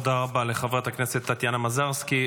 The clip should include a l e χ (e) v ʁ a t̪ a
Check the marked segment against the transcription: incorrect: a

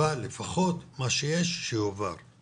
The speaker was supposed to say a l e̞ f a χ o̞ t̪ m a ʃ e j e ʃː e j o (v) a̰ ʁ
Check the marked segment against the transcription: correct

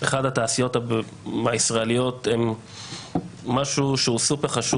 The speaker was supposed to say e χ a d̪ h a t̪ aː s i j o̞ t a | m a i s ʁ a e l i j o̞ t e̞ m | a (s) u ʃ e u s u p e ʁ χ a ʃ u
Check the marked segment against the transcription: incorrect: ʃ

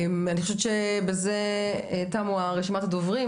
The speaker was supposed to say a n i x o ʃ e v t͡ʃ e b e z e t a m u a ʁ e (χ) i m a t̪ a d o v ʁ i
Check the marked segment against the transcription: incorrect: ʃ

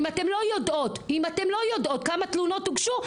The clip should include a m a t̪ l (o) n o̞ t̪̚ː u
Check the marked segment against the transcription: incorrect: u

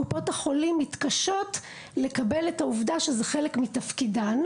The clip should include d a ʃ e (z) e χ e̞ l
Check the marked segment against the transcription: correct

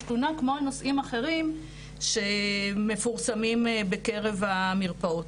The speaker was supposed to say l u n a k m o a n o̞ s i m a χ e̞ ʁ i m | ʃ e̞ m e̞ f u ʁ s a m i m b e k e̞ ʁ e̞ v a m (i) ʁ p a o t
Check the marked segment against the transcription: correct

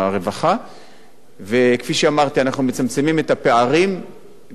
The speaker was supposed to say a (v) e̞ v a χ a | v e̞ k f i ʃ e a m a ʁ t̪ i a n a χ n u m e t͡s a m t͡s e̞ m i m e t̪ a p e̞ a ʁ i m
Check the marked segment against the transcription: incorrect: ʁ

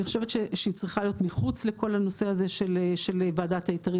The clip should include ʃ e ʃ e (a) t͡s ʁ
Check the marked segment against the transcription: incorrect: i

